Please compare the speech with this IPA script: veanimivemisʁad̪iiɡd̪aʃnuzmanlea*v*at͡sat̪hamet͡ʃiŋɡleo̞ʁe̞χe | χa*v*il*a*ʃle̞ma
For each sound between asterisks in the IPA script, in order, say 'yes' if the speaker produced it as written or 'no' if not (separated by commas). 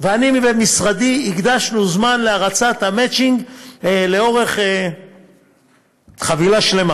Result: no, yes, yes